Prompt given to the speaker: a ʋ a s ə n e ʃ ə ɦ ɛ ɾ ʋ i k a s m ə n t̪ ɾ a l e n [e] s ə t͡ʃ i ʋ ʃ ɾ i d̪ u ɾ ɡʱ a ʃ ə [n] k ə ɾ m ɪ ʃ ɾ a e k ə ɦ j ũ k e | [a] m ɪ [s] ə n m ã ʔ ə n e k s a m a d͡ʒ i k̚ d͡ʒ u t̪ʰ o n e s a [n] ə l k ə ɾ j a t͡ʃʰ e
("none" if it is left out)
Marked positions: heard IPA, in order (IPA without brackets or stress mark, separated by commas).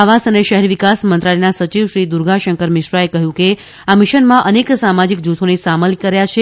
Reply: a, ŋ, a, ʃ, m